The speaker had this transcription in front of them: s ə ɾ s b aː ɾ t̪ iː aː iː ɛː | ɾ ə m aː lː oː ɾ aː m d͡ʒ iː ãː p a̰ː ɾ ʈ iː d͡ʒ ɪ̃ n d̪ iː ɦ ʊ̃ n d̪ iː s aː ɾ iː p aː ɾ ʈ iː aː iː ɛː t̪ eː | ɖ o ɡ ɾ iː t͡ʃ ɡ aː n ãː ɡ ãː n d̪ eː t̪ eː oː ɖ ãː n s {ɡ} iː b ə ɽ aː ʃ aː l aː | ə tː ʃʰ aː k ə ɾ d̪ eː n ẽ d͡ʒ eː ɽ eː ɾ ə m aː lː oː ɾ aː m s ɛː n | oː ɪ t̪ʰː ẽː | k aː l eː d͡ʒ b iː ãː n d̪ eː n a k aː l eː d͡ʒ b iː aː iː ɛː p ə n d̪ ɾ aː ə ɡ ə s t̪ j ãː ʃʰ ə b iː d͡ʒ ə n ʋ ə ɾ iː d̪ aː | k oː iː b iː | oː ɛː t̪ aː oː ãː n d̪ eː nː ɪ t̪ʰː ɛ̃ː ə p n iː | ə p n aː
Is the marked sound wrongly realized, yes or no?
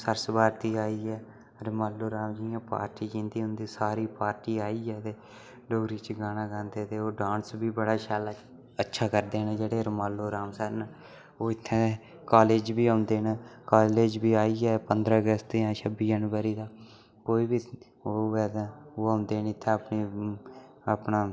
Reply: yes